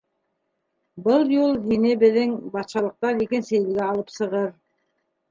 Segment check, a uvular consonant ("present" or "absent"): present